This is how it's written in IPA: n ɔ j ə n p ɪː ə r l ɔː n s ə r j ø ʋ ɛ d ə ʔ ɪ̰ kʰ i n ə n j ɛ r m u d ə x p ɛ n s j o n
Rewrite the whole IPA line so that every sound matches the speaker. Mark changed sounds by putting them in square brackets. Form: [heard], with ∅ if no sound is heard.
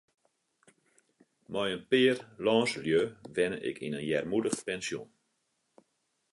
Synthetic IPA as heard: [m] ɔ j ə n p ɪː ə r l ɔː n s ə [l] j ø ʋ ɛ [n] ə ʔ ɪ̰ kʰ i n ə n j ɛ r m u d ə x p ɛ n s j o n